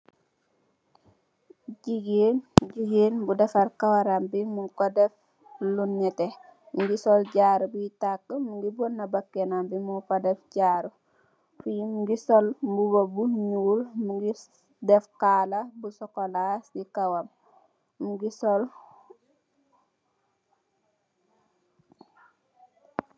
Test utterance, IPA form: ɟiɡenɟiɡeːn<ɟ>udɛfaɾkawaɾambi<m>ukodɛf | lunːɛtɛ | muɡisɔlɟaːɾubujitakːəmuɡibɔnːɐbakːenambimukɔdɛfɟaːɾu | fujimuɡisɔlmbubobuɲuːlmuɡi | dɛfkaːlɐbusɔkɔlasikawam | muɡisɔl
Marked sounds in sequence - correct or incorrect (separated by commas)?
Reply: incorrect, correct